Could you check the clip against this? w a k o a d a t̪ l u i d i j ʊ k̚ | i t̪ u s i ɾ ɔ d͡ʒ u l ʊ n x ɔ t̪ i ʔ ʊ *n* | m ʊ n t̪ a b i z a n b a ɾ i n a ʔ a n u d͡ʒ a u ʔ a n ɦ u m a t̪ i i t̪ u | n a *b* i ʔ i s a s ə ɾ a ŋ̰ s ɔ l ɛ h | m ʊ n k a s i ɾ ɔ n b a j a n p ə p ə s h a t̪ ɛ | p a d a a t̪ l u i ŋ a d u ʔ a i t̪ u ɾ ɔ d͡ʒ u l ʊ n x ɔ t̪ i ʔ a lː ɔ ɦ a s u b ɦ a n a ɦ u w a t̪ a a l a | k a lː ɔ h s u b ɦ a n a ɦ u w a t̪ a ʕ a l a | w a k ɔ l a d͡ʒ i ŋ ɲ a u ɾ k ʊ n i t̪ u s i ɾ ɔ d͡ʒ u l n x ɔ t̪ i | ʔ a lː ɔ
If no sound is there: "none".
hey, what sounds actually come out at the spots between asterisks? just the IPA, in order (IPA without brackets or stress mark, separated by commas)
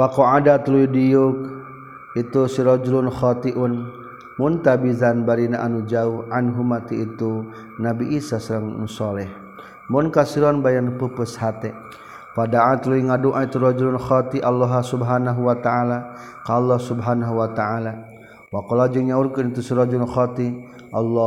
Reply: n, b